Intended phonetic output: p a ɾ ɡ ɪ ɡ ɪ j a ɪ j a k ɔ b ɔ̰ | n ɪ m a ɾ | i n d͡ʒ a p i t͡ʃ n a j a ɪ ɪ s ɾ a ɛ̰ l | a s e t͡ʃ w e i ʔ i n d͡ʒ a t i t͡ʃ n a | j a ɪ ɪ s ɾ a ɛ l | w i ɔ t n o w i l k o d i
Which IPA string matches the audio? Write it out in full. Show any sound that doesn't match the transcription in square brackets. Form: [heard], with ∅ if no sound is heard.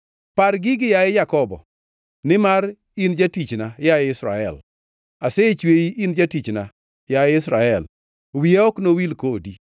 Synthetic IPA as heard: p a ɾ ɡ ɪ ɡ ɪ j a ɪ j a k ɔ b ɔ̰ | n ɪ m a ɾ | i n d͡ʒ a [t] i t͡ʃ n a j a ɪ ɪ s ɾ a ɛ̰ l | a s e t͡ʃ w e i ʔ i n d͡ʒ a t i t͡ʃ n a | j a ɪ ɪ s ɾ a ɛ l | w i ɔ [k] n o w i l k o d i